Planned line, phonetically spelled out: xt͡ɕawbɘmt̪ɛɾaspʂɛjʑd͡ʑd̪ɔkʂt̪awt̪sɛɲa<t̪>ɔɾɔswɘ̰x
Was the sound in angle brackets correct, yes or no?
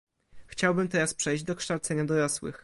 no